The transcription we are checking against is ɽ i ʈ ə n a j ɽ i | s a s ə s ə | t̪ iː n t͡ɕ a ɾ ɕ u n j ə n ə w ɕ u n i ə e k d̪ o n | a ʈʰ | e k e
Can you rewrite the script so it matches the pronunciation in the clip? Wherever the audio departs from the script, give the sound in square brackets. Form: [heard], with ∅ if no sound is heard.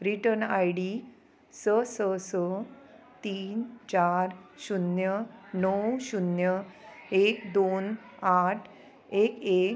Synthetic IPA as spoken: [ɾ] i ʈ ə n a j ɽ i | s [ə] s ə s ə | t̪ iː n t͡ɕ a ɾ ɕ u n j ə n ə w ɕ u n [j] ə e k d̪ o n | a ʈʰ | e k e